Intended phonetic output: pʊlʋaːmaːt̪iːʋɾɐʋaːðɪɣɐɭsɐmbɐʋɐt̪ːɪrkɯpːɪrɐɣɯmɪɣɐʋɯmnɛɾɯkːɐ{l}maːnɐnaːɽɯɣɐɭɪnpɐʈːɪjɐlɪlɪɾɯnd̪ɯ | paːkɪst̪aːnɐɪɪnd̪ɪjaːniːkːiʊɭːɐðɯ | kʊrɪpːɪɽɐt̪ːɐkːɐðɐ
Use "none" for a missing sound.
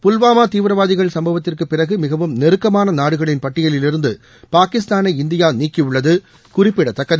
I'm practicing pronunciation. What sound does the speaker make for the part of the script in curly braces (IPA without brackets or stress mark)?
none